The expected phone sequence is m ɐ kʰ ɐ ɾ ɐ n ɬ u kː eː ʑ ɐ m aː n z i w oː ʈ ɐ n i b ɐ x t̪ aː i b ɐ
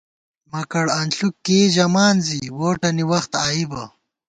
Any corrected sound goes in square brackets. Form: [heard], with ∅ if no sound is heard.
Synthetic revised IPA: m ɐ [k] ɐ [ɽ] ɐ n ɬ u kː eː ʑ ɐ m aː n z i w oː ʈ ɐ n i [w] ɐ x t̪ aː i b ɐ

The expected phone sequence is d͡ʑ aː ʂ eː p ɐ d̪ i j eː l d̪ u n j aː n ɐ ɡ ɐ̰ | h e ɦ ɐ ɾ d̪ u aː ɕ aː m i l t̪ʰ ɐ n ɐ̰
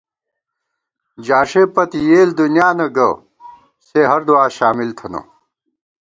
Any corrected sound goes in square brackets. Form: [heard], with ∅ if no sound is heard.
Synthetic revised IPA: d͡ʑ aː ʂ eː p ɐ [t̪] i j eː l d̪ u n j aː n ɐ ɡ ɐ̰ | [s] e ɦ ɐ ɾ d̪ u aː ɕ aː m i l t̪ʰ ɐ n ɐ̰

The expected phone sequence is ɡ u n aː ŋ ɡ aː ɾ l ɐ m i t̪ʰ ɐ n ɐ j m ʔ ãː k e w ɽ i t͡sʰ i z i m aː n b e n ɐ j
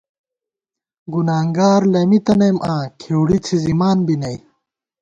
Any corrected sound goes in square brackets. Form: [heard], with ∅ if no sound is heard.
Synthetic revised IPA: ɡ u n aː ŋ ɡ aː ɾ l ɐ m i [t̪] ɐ n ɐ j m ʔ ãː [kʰ] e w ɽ i t͡sʰ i z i m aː n b [i] n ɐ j

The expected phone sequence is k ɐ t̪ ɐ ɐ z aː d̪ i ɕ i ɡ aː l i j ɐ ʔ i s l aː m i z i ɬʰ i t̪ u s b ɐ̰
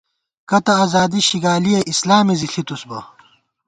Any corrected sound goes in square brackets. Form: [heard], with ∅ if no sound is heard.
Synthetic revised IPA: k ɐ t̪ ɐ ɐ z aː d̪ i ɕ i ɡ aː l i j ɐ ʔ i s l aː m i z i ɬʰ i t̪ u s b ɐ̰

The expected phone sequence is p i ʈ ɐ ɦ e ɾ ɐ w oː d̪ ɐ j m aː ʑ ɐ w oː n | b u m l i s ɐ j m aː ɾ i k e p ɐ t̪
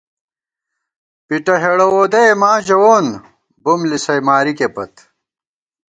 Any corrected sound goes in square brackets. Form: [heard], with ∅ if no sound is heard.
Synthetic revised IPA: p i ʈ ɐ ɦ e [ɽ] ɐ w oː d̪ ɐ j m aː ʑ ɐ w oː n | b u m l i s ɐ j m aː ɾ i k e p ɐ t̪

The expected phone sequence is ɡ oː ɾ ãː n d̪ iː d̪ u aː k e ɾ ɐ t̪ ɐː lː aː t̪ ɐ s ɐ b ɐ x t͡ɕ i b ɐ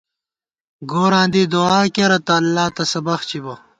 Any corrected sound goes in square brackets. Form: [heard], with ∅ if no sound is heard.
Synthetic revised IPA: ɡ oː ɾ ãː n d̪ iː d̪ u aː k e ɾ ɐ t̪ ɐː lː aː t̪ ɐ s ɐ b ɐ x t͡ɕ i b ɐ

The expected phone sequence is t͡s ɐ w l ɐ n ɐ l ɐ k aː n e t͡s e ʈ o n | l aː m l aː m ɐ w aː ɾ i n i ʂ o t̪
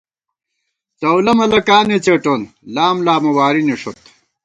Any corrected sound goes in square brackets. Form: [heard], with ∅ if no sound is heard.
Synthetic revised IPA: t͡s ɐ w l ɐ [m] ɐ l ɐ k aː n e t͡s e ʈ o n | l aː m l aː m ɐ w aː ɾ i n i ʂ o t̪

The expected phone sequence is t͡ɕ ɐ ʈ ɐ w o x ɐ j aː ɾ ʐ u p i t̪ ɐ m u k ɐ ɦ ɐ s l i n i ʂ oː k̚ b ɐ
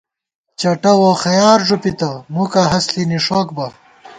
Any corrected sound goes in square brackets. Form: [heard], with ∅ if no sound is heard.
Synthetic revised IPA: t͡ɕ ɐ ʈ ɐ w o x ɐ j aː ɾ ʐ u p i t̪ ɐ m u k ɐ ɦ ɐ s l i n i ʂ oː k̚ b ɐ

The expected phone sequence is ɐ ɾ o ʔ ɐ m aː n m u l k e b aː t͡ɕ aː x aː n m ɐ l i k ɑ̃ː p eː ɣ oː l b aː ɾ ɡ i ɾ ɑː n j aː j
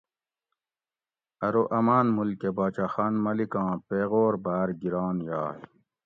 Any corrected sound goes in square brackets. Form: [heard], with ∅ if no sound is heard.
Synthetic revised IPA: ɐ ɾ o ʔ ɐ m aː n m u l k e b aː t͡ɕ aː x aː n m ɐ l i k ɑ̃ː p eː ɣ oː [ɾ] b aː ɾ ɡ i ɾ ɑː n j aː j

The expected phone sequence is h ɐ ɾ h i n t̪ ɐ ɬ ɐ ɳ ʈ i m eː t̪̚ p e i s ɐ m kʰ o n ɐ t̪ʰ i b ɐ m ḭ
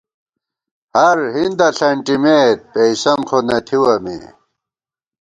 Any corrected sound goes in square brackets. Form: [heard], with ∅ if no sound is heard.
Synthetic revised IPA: h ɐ ɾ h i n [d̪] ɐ ɬ ɐ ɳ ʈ i m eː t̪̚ p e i s ɐ m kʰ o n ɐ t̪ʰ i [w] ɐ m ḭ

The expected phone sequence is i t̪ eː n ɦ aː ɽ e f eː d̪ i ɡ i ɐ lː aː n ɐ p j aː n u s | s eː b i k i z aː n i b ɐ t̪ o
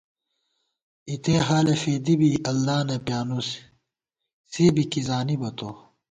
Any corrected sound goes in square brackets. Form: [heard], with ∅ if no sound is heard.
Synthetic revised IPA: i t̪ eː [∅] ɦ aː [l] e f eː d̪ i [b] i ɐ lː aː n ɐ p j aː n u s | s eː b i k i z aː n i b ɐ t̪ o

